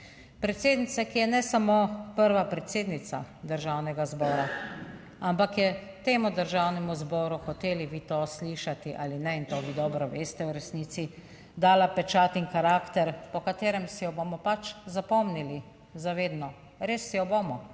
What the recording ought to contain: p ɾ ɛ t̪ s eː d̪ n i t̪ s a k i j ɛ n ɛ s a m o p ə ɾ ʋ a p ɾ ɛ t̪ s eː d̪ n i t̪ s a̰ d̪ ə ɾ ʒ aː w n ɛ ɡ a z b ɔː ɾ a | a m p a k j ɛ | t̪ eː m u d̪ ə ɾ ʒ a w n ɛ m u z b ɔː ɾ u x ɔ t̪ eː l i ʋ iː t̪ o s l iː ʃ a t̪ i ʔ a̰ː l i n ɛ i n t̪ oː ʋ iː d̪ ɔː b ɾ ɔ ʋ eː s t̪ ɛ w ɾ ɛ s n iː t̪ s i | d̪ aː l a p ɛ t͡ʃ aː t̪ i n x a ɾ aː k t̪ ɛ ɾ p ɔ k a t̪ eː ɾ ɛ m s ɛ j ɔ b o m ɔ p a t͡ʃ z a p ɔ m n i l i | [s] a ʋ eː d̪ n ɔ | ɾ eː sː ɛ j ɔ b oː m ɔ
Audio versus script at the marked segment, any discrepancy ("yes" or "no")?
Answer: yes